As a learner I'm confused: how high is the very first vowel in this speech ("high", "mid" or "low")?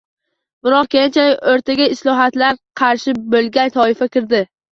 high